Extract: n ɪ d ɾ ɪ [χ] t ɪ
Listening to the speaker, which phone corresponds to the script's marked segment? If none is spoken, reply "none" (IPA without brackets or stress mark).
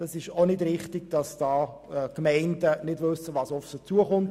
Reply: χ